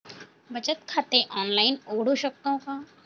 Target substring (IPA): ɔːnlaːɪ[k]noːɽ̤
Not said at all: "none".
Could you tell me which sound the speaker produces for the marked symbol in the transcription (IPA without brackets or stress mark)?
none